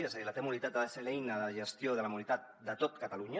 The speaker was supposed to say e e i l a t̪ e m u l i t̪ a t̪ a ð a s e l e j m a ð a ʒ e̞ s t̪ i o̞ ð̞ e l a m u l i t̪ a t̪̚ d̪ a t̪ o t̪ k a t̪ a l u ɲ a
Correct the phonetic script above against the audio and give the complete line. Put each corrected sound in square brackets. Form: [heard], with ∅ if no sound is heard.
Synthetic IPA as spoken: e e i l a t̪ e m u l i t̪ a t̪ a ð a s e l e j [n] a ð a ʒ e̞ s t̪ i o̞ ð̞ e l a m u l i t̪ a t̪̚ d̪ a t̪ o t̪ k a t̪ a l u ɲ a